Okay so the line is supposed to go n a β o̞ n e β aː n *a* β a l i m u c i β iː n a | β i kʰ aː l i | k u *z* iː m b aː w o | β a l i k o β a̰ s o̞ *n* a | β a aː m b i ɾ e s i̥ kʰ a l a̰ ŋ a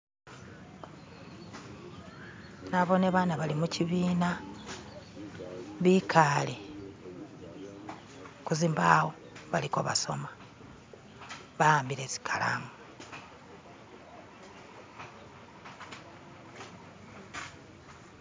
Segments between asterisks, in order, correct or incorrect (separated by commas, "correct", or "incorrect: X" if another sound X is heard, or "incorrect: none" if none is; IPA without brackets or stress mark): correct, correct, incorrect: m